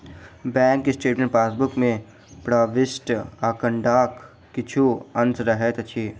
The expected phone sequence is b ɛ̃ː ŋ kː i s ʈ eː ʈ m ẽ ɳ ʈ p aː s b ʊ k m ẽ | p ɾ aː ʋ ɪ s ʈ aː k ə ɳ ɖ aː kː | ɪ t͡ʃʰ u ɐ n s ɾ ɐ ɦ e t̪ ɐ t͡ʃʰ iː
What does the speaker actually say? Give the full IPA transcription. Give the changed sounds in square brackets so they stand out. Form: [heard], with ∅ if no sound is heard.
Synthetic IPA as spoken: b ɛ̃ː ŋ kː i s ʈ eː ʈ m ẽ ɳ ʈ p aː s b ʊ k m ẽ | p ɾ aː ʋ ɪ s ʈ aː k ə ɳ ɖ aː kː | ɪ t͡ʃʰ u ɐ n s ɾ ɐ ɦ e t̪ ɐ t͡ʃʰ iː